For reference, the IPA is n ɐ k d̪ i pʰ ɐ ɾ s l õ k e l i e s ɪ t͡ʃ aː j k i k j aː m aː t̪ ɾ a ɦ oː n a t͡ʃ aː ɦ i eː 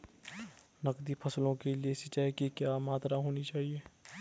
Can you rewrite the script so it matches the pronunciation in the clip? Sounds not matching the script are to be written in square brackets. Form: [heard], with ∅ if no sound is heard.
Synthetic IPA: n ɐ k d̪ i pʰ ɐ [∅] s l õ k e l i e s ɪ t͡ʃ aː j k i k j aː m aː t̪ ɾ a ɦ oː n [i] t͡ʃ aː ɦ i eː